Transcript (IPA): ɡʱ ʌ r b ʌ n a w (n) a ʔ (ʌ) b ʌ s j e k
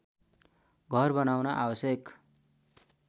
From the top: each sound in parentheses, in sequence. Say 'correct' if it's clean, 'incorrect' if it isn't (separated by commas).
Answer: correct, incorrect